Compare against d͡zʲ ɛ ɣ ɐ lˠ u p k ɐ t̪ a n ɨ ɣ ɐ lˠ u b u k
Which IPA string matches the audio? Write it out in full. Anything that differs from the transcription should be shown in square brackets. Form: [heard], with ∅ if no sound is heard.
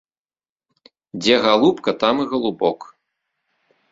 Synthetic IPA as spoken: d͡zʲ ɛ ɣ [a] lˠ u p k ɐ t̪ a [m] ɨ ɣ ɐ lˠ u b [ɔ] k